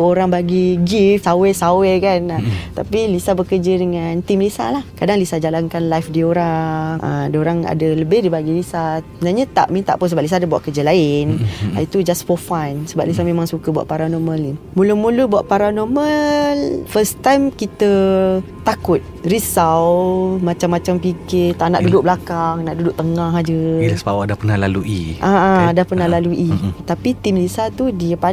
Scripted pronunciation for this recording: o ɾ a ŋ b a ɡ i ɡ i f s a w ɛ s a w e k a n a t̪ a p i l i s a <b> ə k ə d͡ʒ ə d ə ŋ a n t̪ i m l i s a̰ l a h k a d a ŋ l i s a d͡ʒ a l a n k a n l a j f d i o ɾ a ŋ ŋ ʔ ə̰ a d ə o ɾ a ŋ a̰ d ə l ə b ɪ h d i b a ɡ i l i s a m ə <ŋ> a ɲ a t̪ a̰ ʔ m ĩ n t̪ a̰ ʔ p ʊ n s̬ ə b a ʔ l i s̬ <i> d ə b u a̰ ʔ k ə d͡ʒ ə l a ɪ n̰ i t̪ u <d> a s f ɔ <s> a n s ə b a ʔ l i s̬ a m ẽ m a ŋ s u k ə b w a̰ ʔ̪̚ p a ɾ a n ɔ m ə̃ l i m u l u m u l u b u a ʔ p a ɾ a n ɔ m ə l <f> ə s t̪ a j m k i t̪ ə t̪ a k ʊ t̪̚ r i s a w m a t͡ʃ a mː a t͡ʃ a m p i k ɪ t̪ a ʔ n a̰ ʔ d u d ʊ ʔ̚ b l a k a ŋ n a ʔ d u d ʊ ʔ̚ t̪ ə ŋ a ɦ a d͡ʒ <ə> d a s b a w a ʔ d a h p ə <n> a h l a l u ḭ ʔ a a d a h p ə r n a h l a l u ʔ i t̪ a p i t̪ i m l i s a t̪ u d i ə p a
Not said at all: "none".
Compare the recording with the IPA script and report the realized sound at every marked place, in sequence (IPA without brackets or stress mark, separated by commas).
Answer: b, n, a, d͡ʒ, f, f, ə, n